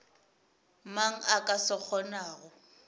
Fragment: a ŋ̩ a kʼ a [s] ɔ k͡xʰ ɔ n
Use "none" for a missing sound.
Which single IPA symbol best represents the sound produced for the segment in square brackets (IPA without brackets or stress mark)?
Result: s